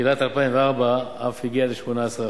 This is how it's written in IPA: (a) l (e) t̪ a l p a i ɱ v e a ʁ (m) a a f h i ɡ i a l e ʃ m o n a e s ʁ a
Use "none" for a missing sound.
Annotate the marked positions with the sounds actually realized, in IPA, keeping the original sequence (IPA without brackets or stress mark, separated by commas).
i, a, b